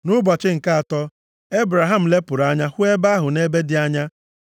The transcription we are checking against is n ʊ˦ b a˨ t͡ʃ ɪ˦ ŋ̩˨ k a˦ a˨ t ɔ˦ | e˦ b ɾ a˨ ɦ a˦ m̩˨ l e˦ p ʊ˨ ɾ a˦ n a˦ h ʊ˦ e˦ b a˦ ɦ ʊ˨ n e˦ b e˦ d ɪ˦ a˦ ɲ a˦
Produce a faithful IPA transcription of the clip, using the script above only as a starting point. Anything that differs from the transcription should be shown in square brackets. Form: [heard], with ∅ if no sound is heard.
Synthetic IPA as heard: n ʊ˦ b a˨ t͡ʃ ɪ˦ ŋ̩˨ k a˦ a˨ t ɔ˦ | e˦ b ɾ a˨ ɦ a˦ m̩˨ l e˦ p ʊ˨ ɾ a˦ [ɲ] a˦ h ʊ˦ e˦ b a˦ ɦ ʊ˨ n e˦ b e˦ d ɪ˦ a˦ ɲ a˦